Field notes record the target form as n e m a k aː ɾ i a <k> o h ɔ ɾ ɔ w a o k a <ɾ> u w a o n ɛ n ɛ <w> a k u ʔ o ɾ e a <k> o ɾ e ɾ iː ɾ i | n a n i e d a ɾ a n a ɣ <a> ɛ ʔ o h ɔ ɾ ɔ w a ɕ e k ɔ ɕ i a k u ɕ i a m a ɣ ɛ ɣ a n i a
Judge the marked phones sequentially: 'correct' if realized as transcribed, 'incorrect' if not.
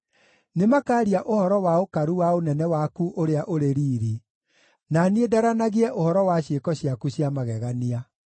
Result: incorrect, correct, correct, incorrect, incorrect

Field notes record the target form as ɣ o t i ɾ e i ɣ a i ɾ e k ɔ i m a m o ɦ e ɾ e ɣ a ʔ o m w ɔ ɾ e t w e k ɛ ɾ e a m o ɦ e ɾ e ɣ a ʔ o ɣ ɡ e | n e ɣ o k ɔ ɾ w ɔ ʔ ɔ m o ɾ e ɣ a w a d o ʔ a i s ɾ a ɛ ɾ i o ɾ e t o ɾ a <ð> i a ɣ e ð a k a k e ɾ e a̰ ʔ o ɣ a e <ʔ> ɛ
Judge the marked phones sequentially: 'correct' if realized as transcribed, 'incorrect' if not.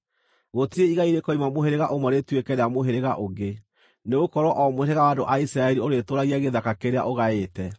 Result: incorrect, incorrect

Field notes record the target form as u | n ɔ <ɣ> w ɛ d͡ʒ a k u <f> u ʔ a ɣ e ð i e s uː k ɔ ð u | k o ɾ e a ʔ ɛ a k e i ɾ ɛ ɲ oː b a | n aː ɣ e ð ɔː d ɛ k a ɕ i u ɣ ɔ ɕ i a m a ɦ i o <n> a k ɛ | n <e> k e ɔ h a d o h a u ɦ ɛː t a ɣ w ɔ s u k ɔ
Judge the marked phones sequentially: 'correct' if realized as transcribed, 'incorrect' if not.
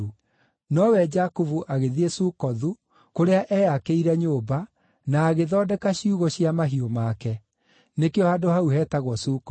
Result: incorrect, incorrect, incorrect, correct

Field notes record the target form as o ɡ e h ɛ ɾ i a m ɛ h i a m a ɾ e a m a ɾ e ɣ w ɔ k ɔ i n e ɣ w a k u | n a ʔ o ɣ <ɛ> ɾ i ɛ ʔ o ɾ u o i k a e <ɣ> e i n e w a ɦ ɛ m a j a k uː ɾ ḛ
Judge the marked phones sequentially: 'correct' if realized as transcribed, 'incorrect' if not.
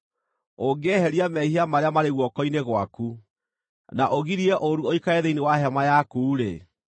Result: incorrect, incorrect

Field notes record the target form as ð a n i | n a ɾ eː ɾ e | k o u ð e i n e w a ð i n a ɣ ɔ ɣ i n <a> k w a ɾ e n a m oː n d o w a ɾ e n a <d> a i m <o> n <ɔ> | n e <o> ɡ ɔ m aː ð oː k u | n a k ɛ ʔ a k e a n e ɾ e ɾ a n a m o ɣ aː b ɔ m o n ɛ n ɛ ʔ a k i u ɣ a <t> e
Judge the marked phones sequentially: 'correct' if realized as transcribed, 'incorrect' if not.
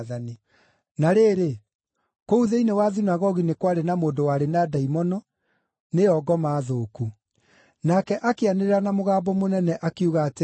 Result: incorrect, correct, incorrect, correct, incorrect, correct

